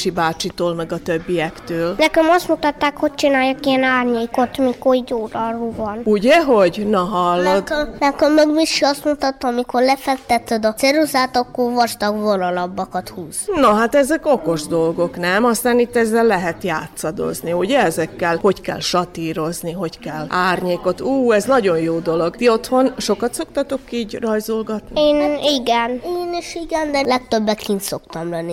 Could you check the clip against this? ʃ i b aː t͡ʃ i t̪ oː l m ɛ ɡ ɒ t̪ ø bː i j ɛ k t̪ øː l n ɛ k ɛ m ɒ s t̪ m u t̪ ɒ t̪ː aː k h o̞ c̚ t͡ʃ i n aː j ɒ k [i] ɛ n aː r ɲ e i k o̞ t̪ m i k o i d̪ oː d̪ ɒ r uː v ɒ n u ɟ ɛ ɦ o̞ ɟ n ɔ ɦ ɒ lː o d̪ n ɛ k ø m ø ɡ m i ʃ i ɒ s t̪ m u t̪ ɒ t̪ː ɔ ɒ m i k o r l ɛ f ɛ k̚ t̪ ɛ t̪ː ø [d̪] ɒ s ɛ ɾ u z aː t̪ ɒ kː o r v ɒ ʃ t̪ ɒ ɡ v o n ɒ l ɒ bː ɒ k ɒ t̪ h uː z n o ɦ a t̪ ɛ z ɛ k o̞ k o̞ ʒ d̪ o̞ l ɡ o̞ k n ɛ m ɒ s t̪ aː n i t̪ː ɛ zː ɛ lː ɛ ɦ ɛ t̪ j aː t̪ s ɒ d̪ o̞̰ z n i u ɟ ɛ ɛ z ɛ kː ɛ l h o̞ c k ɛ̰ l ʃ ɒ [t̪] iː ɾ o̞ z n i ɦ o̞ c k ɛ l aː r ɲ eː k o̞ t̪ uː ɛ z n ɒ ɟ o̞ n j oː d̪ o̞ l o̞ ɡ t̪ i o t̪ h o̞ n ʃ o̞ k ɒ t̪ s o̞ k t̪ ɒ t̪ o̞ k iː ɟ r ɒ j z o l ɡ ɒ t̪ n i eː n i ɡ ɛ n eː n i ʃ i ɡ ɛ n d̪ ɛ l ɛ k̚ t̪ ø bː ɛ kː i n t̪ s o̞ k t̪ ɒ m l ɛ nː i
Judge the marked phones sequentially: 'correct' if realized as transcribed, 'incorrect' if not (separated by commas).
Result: correct, correct, correct